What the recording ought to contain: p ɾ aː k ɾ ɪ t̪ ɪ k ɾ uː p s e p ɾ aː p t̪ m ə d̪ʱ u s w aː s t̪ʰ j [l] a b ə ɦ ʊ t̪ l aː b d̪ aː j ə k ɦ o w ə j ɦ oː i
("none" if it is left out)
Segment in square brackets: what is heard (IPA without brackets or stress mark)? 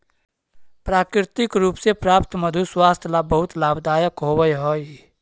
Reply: l